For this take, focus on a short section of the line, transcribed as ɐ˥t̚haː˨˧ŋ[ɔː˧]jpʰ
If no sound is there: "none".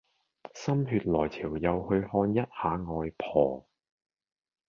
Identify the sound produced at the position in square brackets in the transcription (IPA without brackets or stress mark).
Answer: ɔː˧